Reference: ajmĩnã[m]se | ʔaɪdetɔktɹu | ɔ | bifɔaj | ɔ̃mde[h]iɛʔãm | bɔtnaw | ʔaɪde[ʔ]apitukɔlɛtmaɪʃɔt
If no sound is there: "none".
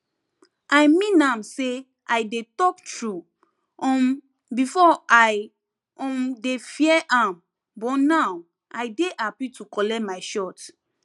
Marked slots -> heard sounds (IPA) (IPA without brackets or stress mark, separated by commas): m, f, ʔ